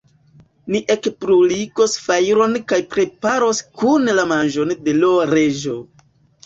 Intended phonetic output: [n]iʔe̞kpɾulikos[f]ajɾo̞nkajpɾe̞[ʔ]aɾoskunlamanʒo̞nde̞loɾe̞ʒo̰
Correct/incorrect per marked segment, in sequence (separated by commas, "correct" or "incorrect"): correct, correct, incorrect